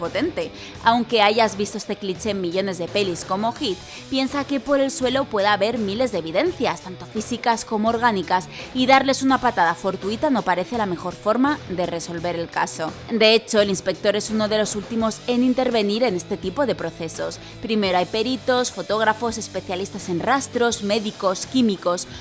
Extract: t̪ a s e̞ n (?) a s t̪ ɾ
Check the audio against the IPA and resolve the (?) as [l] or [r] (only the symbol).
r